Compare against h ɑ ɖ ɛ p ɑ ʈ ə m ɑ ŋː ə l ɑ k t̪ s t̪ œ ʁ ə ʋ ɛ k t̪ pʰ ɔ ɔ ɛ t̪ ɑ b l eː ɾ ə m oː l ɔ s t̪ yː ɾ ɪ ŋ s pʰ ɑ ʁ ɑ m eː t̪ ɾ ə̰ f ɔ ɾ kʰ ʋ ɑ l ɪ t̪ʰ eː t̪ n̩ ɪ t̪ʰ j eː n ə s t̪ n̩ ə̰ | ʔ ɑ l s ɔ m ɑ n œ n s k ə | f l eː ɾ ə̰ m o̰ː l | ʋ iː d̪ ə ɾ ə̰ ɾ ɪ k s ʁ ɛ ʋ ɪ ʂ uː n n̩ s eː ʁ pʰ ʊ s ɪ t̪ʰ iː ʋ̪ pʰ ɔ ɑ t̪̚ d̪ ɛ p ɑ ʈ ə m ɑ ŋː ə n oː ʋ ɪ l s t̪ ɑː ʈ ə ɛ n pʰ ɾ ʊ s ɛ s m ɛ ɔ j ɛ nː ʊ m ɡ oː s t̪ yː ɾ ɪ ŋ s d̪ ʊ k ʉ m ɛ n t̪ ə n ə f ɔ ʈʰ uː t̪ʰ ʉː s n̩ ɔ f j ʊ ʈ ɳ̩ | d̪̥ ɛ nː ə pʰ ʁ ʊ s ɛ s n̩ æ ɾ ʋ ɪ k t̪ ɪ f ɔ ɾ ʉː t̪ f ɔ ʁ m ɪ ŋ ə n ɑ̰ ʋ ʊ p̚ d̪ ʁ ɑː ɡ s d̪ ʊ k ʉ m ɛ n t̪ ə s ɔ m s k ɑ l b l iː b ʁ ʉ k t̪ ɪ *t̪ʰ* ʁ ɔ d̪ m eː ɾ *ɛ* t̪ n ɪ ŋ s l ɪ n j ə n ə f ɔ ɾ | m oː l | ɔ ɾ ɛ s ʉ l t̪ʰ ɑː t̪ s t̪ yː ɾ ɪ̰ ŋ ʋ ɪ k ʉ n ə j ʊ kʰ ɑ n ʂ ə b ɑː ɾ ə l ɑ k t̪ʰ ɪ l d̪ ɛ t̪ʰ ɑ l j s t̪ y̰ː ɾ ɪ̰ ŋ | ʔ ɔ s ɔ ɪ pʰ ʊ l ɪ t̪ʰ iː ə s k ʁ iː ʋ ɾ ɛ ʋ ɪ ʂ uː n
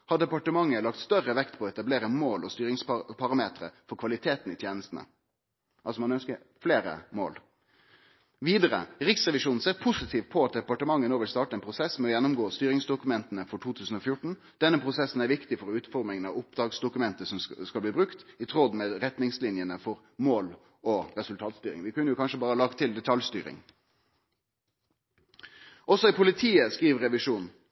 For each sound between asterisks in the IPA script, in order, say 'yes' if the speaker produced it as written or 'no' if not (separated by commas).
yes, yes